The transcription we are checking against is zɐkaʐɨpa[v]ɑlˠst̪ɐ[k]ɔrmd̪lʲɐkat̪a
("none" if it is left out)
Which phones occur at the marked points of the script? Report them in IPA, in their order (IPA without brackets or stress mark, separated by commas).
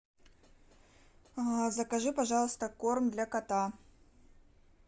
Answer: ʐ, k